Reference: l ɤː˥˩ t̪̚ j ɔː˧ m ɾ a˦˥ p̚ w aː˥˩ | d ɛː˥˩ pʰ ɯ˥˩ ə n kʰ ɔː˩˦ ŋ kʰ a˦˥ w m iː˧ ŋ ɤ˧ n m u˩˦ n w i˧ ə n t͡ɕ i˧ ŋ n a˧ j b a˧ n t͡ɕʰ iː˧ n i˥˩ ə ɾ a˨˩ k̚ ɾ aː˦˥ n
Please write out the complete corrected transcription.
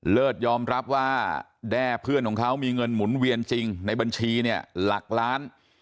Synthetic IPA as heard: l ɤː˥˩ t̪̚ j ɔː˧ m ɾ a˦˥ p̚ w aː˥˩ | d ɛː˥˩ pʰ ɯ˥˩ ə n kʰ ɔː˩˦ ŋ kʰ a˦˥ w m iː˧ ŋ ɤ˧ n m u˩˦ n w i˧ ə n t͡ɕ i˧ ŋ n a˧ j b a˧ n t͡ɕʰ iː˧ n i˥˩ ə l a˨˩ k̚ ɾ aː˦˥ n